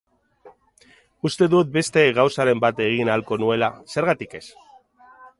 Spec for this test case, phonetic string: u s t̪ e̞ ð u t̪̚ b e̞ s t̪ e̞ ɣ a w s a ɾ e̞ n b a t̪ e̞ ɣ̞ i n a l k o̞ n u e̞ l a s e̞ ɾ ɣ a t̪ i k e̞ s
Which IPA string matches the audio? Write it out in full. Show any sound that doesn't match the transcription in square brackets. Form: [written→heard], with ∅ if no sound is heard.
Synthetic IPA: u s t̪ e̞ ð u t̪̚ b e̞ s t̪ e̞ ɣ a w s a ɾ e̞ [n→m] b a t̪ e̞ ɣ̞ i n a l k o̞ n u e̞ l a s e̞ ɾ ɣ a t̪ i k e̞ s